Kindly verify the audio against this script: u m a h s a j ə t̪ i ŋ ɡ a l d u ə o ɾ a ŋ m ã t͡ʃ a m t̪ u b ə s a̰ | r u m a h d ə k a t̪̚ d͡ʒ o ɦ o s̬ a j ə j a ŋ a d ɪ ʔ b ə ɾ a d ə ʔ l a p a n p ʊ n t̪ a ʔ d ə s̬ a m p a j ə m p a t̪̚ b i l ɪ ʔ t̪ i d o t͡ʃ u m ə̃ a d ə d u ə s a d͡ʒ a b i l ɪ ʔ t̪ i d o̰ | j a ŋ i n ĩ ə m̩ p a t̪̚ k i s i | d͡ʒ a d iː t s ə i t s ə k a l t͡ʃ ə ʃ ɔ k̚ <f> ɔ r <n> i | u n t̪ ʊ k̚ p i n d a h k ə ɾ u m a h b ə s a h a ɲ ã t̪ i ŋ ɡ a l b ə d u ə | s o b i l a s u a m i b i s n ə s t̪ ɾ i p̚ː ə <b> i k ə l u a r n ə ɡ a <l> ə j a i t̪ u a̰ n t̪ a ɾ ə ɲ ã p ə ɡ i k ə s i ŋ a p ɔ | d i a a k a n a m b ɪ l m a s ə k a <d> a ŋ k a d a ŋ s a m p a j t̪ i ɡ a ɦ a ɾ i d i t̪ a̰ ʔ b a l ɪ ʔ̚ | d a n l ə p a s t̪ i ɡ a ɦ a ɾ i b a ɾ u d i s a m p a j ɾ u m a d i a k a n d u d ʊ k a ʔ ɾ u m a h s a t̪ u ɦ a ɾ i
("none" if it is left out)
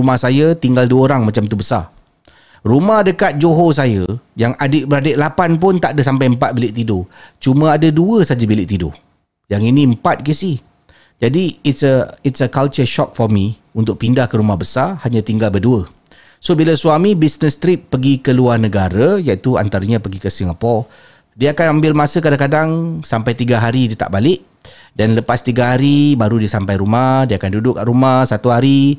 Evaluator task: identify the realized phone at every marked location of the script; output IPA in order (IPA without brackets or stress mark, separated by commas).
f, m, ɡ, ɾ, d